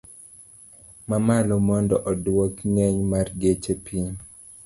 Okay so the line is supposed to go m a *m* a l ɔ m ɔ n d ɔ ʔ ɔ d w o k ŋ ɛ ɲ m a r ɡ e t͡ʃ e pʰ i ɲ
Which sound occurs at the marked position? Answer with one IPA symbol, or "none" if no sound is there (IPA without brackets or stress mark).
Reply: m